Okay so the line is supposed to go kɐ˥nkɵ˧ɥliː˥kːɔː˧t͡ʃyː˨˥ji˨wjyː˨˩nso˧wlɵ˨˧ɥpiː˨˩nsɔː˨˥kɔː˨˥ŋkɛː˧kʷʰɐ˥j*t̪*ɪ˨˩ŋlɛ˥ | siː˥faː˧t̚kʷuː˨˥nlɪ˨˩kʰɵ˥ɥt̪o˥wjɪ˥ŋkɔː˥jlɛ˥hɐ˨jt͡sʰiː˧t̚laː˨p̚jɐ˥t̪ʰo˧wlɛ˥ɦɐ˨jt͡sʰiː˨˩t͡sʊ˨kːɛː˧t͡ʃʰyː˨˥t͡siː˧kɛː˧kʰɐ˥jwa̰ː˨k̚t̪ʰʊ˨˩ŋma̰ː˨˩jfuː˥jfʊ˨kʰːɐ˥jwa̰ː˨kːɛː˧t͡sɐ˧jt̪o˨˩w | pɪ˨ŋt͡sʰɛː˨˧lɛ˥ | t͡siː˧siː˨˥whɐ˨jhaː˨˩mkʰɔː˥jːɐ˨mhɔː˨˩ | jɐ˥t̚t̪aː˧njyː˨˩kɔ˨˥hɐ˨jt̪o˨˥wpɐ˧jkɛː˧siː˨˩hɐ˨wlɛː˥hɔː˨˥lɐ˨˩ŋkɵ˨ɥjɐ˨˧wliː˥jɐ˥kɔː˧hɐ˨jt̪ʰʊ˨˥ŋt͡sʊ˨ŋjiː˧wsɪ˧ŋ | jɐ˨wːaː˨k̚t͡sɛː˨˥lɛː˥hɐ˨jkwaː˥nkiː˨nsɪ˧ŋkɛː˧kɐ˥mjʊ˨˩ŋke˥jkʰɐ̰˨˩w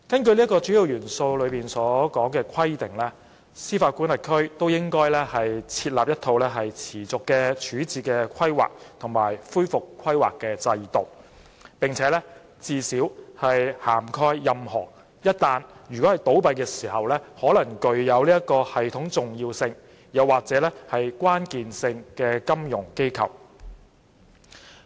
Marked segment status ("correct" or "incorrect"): correct